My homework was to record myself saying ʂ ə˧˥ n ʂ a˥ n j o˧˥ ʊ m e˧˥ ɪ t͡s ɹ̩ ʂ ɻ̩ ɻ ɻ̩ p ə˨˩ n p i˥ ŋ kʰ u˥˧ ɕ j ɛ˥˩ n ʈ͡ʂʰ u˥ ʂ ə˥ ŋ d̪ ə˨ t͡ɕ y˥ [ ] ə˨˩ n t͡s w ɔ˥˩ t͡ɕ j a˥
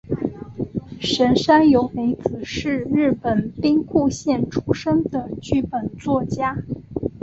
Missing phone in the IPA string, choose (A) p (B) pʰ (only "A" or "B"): A